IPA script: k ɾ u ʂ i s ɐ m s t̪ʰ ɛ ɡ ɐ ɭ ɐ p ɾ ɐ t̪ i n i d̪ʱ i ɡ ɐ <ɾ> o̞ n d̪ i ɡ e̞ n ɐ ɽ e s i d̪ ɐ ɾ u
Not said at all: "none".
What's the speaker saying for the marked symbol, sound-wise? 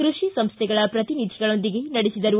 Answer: ɭ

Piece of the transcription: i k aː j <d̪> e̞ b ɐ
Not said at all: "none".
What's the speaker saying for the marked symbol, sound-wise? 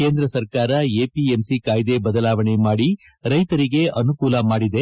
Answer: d̪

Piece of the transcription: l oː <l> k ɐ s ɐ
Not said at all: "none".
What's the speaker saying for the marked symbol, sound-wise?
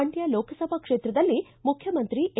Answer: none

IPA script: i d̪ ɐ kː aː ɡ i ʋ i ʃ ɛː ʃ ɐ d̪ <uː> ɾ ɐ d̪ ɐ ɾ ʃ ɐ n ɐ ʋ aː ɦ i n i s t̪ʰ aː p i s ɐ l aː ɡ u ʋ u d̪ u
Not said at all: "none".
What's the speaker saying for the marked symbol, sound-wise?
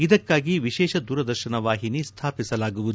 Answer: uː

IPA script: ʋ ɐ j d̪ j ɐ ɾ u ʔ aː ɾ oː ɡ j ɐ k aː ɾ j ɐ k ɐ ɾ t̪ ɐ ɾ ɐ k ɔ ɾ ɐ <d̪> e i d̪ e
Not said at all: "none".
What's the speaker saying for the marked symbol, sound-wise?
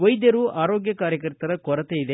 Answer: t̪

